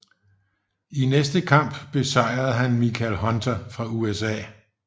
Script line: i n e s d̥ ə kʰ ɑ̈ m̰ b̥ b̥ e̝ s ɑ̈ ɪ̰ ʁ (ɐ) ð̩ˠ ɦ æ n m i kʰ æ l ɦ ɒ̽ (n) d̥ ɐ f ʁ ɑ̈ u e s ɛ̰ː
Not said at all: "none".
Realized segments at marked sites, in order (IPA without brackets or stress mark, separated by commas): ɐ, n